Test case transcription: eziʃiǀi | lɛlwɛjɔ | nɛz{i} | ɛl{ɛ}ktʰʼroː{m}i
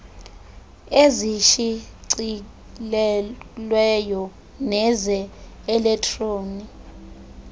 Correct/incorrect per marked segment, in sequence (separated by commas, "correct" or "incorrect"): incorrect, correct, incorrect